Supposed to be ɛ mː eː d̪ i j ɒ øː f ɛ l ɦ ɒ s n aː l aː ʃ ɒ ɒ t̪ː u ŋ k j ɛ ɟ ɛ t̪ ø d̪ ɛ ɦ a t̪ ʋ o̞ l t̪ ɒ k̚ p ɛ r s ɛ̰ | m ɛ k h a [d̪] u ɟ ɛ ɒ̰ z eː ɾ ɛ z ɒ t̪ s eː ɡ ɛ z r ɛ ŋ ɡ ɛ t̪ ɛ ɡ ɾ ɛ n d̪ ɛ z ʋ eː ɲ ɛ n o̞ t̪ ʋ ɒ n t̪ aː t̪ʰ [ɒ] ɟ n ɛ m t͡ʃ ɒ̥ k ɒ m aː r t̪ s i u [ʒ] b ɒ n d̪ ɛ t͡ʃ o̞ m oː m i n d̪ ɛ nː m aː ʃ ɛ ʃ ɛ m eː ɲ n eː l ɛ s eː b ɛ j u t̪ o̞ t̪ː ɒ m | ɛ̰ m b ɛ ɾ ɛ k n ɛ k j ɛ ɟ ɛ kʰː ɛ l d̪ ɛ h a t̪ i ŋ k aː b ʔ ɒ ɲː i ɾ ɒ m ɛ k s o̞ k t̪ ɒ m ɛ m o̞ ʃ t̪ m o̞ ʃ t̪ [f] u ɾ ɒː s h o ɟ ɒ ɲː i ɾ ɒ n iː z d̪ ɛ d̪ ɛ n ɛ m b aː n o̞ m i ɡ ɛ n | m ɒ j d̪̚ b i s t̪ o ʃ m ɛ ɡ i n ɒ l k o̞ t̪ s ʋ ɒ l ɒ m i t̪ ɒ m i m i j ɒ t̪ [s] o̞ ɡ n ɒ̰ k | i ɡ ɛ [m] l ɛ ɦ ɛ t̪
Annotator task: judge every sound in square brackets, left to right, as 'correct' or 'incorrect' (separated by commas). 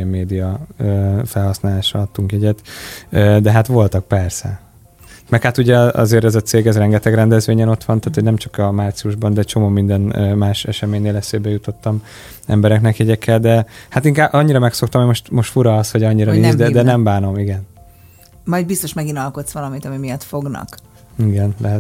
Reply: incorrect, incorrect, correct, correct, incorrect, incorrect